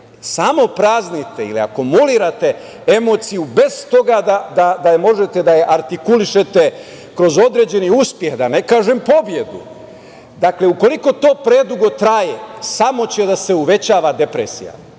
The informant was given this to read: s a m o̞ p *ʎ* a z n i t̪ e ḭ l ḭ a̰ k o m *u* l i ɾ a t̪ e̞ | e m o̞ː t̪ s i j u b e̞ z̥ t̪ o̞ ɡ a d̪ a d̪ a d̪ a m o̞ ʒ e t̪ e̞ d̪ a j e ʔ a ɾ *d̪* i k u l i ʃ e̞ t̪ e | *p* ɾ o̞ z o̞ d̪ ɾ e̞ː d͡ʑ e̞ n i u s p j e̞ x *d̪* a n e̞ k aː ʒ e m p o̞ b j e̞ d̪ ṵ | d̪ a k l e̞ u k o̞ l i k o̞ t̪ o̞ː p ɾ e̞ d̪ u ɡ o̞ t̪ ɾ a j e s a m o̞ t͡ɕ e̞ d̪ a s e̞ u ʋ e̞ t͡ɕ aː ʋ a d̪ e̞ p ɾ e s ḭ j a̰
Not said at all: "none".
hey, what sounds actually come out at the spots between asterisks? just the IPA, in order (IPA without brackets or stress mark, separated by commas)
ɾ, u, t̪, k, d̪